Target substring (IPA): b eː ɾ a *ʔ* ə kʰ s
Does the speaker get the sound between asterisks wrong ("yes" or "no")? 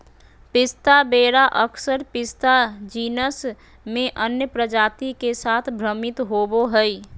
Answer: no